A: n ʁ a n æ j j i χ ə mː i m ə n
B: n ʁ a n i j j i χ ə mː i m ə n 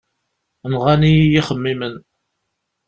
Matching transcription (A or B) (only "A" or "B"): B